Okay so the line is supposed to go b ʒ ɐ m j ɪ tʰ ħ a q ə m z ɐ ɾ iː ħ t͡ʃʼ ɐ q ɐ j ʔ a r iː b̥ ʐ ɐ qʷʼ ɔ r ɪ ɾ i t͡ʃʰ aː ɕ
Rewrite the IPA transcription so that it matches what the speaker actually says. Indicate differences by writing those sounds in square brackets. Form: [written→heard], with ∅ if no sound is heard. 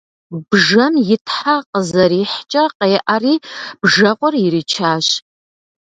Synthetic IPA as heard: b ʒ ɐ m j ɪ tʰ ħ a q ə [m→∅] z ɐ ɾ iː ħ t͡ʃʼ ɐ q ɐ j ʔ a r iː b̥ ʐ ɐ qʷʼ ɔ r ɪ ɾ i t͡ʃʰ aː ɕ